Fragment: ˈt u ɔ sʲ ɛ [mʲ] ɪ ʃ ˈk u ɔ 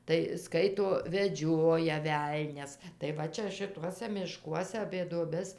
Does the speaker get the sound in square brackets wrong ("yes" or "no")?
no